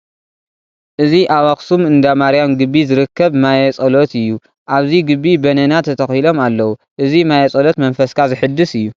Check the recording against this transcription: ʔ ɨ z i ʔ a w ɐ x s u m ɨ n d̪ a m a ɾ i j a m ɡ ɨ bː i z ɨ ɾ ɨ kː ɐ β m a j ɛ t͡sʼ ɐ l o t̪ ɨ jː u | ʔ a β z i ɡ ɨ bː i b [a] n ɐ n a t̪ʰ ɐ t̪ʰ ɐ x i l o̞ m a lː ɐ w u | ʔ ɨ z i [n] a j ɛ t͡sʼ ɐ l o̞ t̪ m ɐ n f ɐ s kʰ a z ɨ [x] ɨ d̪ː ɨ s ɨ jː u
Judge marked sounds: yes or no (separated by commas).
no, no, no